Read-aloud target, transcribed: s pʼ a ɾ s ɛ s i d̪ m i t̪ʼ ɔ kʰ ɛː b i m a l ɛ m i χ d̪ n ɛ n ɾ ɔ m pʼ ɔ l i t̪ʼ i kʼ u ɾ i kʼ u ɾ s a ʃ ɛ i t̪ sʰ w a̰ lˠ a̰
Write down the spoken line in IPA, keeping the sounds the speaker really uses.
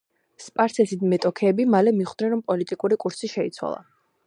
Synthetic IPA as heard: s pʼ a ɾ s ɛ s i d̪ m ɛ t̪ʼ ɔ kʰ ɛː b i m a l ɛ m i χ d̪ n ɛ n ɾ ɔ m pʼ ɔ l i t̪ʼ i kʼ u ɾ i kʼ u ɾ s i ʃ ɛ i t̪ sʰ w a̰ lˠ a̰